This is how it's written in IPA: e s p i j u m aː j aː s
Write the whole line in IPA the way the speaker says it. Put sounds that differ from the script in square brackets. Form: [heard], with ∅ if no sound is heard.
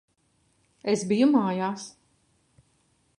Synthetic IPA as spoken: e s [b] i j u m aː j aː s